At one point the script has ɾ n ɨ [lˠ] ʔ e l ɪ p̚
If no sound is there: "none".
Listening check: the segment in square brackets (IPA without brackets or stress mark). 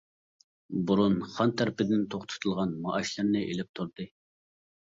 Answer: none